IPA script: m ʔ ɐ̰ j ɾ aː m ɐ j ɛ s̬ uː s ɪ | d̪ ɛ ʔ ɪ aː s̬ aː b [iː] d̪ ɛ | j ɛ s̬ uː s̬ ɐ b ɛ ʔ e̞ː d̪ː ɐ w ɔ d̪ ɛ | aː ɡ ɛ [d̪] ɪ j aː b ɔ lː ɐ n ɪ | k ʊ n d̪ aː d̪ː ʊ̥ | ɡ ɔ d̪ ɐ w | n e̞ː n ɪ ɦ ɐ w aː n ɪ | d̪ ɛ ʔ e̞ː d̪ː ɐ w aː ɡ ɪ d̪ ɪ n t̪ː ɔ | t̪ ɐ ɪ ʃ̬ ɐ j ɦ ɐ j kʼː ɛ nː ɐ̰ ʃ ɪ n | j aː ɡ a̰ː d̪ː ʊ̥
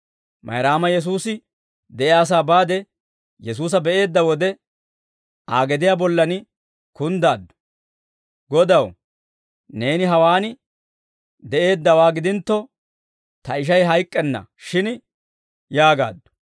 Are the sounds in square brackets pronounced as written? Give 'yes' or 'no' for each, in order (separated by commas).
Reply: no, yes